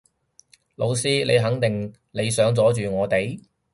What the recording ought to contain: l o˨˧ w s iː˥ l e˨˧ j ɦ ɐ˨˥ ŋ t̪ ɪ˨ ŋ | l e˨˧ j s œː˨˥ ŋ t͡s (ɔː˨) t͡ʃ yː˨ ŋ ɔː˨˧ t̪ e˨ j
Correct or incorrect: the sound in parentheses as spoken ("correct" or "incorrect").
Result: incorrect